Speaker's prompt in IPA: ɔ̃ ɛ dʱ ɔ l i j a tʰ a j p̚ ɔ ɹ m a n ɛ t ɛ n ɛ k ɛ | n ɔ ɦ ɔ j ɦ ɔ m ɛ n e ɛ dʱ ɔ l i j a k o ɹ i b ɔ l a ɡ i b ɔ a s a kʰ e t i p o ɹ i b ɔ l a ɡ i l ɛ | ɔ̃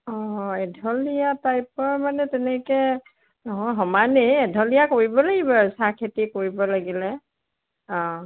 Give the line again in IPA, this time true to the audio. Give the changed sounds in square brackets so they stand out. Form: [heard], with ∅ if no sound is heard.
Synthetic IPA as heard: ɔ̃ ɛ dʱ ɔ l i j a [t] a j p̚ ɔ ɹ m a n ɛ t ɛ n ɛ k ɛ | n ɔ ɦ ɔ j ɦ ɔ m [a] n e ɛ dʱ ɔ l i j a k o ɹ i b ɔ l a ɡ i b ɔ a s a kʰ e t i [k] o ɹ i b ɔ l a ɡ i l ɛ | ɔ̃